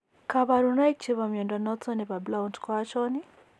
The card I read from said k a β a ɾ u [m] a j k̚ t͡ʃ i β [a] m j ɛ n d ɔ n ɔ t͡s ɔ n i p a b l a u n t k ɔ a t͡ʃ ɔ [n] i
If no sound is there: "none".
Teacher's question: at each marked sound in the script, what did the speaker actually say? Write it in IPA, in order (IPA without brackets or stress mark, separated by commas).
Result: n, a, n